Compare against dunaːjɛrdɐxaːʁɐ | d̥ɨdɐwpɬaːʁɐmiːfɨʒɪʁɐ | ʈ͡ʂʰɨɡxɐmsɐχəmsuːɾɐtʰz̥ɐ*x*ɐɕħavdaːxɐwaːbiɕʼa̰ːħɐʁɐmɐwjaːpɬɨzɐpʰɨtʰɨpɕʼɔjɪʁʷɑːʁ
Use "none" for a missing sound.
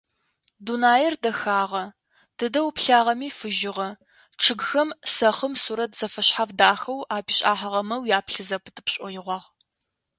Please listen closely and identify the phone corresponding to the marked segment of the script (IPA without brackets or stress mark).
f